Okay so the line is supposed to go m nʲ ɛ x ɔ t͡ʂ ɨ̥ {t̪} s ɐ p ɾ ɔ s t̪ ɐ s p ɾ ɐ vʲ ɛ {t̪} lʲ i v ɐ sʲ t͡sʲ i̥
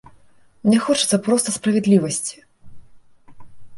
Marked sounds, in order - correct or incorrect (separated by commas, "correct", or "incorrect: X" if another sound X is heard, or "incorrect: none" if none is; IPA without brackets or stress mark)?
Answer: correct, incorrect: d̪